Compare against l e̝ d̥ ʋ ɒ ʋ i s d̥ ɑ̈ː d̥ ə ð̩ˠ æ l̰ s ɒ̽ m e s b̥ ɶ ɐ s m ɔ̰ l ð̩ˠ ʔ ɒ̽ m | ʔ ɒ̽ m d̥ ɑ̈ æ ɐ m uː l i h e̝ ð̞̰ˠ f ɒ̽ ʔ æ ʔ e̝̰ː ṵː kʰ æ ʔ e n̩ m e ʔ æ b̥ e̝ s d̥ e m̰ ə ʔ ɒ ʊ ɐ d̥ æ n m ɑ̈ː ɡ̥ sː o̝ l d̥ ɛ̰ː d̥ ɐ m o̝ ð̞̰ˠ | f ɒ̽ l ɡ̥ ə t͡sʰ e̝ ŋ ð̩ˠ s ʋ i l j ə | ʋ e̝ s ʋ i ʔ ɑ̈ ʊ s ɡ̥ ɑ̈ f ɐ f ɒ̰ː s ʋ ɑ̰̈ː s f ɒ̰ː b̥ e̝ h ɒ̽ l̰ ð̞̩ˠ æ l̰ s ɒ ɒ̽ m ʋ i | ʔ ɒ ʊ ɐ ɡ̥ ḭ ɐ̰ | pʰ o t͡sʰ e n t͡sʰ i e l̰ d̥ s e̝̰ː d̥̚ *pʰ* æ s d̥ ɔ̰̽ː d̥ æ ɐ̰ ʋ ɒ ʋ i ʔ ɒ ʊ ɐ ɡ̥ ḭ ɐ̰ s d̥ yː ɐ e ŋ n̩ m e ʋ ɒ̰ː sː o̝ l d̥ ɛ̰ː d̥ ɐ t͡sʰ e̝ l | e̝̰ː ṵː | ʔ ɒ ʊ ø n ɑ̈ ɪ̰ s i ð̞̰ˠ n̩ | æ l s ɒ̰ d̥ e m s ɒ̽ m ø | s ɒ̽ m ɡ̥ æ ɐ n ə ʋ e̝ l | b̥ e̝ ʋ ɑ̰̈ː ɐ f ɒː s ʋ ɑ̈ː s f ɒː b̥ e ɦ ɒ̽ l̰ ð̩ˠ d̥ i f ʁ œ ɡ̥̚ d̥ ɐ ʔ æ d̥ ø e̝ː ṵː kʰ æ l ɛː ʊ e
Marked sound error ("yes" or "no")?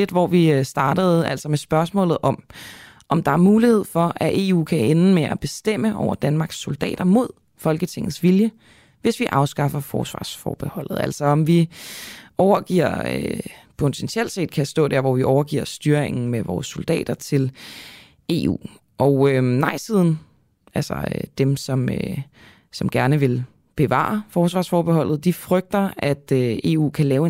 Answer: yes